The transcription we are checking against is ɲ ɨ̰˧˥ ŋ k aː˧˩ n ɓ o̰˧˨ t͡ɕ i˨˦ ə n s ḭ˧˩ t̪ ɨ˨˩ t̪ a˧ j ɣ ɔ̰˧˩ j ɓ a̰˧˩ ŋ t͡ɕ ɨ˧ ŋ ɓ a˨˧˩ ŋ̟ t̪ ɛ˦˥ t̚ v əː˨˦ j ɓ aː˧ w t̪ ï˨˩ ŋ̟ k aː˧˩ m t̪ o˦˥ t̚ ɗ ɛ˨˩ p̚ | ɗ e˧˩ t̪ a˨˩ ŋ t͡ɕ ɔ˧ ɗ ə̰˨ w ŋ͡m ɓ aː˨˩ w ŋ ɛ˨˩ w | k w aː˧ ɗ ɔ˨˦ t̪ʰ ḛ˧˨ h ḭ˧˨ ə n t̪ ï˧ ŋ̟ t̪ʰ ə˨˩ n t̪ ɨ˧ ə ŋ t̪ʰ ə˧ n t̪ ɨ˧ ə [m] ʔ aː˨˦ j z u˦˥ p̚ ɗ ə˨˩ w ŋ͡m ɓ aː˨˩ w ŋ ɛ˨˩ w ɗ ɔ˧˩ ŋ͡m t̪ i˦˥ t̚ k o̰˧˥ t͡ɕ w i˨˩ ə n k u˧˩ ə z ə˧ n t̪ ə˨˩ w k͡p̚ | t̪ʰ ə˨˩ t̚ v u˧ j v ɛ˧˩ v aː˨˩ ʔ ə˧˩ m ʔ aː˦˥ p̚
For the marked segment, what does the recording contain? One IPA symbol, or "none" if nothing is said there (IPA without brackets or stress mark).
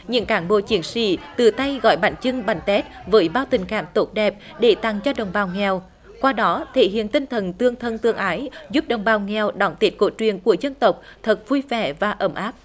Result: ŋ